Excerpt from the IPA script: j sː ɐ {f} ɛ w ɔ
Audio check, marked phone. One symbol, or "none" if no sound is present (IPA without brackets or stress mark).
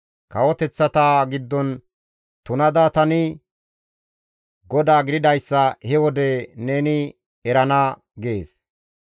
h